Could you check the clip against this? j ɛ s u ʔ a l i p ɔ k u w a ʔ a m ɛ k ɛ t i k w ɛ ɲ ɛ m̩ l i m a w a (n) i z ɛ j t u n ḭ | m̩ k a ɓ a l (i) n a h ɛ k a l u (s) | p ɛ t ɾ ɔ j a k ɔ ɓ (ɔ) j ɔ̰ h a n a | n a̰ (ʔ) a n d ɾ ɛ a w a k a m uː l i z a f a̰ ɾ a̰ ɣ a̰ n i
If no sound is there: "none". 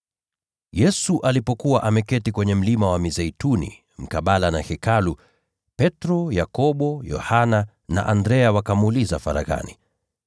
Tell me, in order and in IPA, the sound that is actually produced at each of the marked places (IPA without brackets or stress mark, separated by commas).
m, a, none, ɔ, ʔ